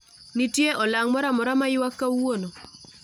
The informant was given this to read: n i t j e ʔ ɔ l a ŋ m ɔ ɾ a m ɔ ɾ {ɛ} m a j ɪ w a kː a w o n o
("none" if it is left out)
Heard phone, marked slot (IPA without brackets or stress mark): a